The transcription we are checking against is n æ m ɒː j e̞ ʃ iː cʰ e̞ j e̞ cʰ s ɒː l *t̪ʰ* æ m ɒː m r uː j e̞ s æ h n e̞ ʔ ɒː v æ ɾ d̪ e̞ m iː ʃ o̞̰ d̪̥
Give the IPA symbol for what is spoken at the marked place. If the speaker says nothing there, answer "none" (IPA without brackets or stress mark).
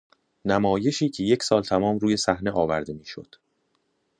t̪ʰ